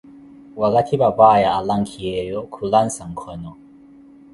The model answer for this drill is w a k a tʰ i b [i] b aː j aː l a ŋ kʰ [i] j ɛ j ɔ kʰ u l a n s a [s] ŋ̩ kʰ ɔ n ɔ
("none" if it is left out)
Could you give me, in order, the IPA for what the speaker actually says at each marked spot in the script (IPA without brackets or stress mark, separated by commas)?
a, i, none